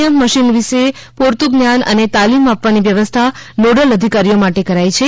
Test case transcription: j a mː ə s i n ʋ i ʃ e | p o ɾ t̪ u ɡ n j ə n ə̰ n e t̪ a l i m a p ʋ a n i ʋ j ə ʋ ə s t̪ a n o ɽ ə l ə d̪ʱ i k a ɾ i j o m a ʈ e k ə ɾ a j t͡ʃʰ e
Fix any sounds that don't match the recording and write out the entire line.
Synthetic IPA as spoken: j ə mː ə ʃ i n ʋ i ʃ e | p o ɾ t̪ u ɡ n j a n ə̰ n e t̪ a l i m a p ʋ a n i ʋ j ə ʋ ə s t̪ʰ a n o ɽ ə l ə d̪ʱ i k a ɾ i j o m a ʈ e k ə ɾ a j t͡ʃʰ e